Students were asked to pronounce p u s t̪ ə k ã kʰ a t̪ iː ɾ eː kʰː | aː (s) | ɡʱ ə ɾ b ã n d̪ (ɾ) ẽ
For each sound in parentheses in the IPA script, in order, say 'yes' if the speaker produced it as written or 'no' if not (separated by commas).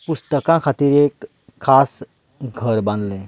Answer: yes, no